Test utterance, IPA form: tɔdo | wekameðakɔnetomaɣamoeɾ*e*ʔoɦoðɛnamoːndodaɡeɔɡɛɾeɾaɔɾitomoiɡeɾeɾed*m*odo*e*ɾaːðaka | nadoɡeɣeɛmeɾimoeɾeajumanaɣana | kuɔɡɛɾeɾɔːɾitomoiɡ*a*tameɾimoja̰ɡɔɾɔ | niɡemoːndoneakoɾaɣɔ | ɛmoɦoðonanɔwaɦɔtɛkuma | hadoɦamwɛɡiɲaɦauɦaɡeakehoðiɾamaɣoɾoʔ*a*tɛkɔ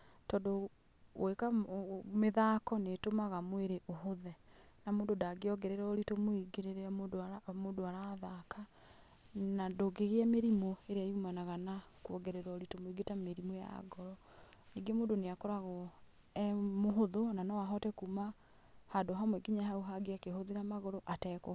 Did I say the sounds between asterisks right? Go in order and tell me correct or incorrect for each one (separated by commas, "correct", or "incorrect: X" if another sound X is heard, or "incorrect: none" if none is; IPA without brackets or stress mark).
correct, correct, incorrect: a, incorrect: e, correct